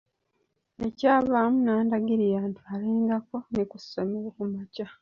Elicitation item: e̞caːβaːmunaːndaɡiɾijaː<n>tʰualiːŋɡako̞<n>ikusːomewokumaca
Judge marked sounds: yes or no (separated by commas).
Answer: yes, yes